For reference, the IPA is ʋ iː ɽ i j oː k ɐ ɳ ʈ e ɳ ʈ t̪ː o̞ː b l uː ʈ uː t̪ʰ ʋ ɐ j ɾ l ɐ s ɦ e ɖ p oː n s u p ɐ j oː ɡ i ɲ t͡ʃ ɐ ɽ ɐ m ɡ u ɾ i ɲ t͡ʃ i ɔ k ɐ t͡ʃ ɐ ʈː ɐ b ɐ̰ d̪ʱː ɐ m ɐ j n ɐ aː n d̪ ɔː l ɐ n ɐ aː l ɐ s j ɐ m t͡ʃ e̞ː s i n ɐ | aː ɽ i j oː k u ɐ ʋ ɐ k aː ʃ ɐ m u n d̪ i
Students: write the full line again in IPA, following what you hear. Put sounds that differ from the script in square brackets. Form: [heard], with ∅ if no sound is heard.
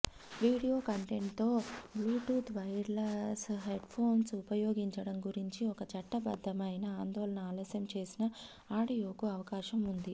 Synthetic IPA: ʋ iː ɽ i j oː k ɐ ɳ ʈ e ɳ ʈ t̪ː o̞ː b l uː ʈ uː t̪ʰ ʋ ɐ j ɾ l ɐ s ɦ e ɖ [pʰ] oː n s u p ɐ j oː ɡ i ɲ t͡ʃ ɐ ɽ ɐ m ɡ u ɾ i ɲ t͡ʃ i ɔ k ɐ t͡ʃ ɐ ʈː ɐ b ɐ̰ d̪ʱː ɐ m ɐ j n ɐ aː n d̪ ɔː l ɐ n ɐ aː l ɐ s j ɐ m t͡ʃ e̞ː s i n ɐ | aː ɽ i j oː k u ɐ ʋ ɐ k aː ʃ ɐ m u n d̪ i